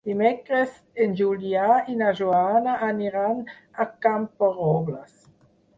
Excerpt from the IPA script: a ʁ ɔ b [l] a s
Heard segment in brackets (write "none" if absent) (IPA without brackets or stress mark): l